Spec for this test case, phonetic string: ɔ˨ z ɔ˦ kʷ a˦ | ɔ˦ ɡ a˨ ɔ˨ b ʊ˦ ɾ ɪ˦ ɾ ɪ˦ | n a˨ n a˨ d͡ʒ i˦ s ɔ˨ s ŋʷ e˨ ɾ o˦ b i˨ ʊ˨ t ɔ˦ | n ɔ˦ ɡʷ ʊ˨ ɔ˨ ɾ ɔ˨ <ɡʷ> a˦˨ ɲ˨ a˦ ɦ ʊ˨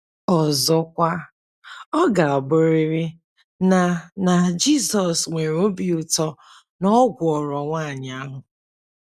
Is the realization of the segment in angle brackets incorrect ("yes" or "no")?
yes